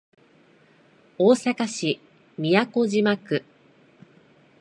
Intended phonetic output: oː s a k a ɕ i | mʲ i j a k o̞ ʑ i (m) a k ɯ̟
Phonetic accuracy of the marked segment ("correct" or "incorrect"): correct